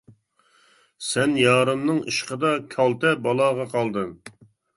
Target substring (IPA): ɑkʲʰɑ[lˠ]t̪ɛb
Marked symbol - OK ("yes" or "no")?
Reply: yes